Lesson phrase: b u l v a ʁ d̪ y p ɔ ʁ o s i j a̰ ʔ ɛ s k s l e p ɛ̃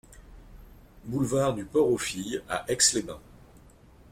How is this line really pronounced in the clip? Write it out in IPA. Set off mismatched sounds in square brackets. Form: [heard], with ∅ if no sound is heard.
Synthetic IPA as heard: b u l v a ʁ d̪ y p ɔ ʁ o [f] i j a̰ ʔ ɛ [∅] k s l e [b] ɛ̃